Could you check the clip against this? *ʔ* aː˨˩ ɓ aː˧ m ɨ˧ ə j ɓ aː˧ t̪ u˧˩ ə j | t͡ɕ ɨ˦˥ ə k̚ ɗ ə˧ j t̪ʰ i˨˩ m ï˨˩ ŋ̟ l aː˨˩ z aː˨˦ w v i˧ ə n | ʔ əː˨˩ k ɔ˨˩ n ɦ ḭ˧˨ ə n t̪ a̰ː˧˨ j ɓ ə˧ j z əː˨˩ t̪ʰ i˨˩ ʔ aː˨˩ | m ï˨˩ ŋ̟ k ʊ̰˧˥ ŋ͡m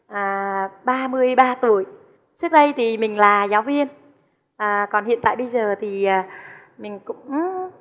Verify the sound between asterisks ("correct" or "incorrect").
correct